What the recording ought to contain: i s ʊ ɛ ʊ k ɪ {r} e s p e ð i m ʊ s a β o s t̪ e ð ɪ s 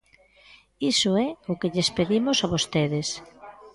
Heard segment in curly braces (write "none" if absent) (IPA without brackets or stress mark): ʎ